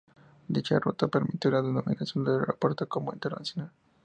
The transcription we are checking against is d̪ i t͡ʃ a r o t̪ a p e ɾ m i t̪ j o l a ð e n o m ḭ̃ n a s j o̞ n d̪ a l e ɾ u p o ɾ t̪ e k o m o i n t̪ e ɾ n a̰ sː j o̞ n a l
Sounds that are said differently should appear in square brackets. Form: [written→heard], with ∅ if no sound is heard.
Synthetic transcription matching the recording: d̪ i t͡ʃ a r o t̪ a p e ɾ m i t̪ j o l a ð e n o m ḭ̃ n a s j o̞ n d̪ [a→e] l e ɾ [u→o] p o ɾ t̪ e k o m o i n t̪ e ɾ n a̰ [sː→s] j o̞ n a l